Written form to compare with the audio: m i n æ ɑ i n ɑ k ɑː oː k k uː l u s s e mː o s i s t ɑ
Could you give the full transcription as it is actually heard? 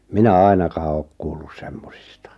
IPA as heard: m i n æ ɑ i n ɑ k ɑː oː k k uː lː u s s e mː o s i s t ɑ